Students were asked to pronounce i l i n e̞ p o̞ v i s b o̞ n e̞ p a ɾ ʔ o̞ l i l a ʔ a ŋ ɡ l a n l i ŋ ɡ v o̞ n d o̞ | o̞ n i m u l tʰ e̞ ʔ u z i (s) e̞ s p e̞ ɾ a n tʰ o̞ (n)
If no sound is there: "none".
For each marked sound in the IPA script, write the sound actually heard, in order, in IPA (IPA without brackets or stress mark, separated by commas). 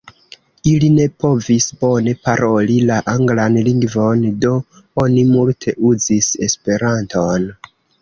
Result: s, n